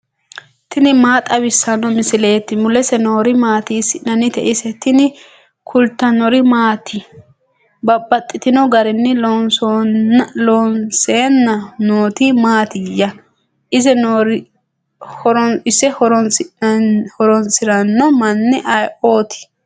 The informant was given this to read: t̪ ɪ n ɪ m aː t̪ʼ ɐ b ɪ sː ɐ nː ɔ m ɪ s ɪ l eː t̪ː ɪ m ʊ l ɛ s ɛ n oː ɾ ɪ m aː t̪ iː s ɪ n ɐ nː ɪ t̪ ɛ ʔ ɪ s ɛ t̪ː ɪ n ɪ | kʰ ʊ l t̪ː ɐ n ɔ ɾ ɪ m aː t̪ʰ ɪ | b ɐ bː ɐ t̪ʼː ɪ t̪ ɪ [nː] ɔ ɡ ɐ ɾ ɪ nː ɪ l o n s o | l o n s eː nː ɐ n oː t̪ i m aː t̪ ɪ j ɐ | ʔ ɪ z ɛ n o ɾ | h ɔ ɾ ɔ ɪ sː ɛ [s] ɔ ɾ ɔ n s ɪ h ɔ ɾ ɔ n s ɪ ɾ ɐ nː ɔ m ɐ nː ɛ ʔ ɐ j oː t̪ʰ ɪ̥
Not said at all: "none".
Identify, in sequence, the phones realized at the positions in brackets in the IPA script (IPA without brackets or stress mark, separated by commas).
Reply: n, h